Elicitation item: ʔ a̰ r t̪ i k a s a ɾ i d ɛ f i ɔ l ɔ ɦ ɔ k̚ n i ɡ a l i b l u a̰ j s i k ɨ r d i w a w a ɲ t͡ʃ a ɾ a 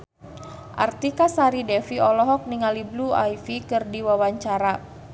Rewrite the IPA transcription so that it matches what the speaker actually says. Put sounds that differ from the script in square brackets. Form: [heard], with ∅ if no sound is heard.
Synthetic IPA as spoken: ʔ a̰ r t̪ i k a s a ɾ i d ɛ f i ɔ l ɔ ɦ ɔ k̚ n i [ŋ] a l i b l u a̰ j [f] i k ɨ r d i w a w a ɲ t͡ʃ a ɾ a